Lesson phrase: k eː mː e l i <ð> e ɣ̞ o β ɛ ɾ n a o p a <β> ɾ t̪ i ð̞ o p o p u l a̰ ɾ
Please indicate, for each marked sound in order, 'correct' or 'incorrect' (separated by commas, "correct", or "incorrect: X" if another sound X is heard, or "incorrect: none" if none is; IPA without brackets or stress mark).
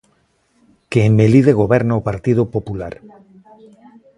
correct, incorrect: none